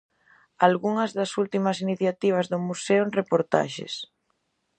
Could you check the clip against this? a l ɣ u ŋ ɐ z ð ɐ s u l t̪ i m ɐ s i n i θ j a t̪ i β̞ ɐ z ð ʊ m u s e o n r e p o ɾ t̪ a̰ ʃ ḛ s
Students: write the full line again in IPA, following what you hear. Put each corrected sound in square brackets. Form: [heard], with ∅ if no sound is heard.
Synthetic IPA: a l ɣ u ŋ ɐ z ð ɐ s u l t̪ i m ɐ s i n i θ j a t̪ i β̞ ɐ z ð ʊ m u s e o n r e p o ɾ t̪ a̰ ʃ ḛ s